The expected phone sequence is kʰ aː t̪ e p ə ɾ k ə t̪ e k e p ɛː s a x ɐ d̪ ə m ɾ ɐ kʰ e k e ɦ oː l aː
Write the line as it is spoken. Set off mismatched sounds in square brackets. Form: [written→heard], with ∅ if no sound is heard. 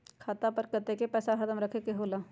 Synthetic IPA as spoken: kʰ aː t̪ [e→a] p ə ɾ k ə t̪ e k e p ɛː s a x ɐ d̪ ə m ɾ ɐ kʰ e k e ɦ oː l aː